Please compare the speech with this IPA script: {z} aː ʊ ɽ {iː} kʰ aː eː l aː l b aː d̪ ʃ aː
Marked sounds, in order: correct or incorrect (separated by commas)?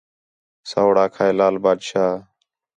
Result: incorrect, incorrect